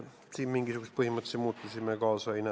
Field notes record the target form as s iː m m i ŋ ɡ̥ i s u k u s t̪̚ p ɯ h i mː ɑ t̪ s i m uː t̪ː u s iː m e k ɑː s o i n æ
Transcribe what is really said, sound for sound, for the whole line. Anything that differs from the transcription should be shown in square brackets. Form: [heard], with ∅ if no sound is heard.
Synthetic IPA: s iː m m i ŋ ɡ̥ i s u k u s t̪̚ p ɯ h i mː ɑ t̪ s i m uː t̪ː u s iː m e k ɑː s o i n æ